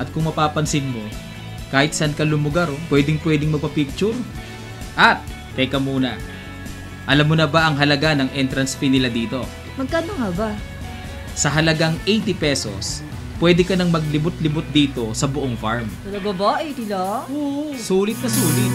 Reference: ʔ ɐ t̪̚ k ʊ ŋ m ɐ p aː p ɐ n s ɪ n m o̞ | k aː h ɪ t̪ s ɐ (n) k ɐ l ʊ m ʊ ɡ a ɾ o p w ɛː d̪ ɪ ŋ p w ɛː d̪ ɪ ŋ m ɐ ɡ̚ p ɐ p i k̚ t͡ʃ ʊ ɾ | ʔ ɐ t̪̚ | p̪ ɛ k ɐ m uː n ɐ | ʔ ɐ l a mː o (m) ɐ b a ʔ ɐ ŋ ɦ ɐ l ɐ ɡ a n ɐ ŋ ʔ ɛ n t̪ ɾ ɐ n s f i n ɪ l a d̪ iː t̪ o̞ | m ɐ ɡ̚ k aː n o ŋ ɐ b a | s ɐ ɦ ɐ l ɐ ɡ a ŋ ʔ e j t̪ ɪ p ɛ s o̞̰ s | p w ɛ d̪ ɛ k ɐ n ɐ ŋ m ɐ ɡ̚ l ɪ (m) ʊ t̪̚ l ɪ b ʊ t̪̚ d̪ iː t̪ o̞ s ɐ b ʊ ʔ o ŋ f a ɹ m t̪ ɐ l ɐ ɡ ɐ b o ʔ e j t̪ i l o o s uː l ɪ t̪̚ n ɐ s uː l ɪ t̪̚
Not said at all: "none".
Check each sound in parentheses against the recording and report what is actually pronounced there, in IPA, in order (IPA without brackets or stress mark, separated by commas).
n, n, b